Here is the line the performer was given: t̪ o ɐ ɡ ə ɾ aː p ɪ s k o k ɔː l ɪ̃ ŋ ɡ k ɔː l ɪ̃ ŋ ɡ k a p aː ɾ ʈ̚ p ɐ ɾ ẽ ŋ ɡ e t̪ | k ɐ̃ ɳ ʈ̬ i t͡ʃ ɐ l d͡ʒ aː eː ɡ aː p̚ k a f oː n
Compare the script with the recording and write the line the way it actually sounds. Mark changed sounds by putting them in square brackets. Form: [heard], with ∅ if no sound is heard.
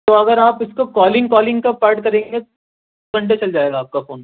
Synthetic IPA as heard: t̪ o ɐ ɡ ə ɾ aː p ɪ s k o k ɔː l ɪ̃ ŋ ɡ k ɔː l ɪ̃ ŋ ɡ k a p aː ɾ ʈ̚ [k] ɐ ɾ [ẽː] ŋ ɡ e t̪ | k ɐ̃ ɳ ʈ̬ [e] t͡ʃ ɐ l d͡ʒ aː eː ɡ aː p̚ k a f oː n